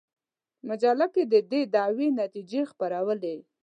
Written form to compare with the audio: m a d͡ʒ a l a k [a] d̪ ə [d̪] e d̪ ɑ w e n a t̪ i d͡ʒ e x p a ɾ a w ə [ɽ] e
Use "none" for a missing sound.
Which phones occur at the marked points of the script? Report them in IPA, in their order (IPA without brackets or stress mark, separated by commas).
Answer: e, d̪, l